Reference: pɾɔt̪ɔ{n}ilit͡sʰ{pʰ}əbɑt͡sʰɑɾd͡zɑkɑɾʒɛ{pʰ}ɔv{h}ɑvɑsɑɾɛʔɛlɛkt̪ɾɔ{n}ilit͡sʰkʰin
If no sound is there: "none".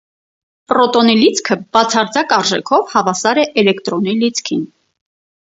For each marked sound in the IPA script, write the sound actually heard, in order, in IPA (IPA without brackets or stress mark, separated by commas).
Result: n, kʰ, kʰ, h, n